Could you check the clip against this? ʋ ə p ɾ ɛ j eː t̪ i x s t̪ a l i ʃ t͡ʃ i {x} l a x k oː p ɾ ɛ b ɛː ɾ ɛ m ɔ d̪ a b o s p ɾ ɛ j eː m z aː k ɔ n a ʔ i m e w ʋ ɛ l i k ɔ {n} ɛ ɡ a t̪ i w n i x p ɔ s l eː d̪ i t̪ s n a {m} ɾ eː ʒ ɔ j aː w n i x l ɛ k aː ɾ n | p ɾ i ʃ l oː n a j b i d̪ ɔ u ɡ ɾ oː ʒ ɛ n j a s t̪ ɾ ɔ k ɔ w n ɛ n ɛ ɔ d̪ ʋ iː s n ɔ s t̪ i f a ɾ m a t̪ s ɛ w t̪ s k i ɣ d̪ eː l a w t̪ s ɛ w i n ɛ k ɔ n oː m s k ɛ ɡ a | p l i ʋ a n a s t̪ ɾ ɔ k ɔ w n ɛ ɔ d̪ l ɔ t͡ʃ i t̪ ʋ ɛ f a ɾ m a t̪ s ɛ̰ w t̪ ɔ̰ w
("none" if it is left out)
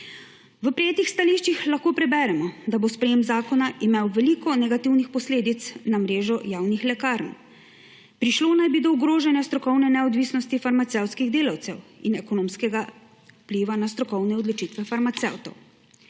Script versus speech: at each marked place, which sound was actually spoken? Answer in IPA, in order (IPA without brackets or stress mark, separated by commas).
x, n, m